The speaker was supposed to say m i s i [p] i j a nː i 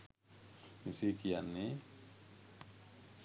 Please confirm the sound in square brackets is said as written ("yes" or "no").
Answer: no